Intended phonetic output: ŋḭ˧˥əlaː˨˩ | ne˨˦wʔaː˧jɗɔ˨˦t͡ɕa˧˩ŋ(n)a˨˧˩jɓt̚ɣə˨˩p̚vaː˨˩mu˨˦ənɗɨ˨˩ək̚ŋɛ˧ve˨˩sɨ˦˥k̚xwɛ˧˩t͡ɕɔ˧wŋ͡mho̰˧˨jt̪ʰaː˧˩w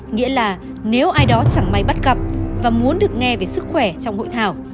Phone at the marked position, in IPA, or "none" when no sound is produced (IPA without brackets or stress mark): m